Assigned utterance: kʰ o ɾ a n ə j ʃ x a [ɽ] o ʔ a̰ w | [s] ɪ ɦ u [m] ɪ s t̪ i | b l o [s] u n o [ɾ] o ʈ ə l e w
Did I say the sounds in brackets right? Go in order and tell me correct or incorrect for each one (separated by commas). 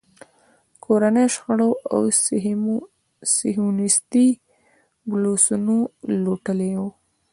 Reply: correct, correct, incorrect, correct, incorrect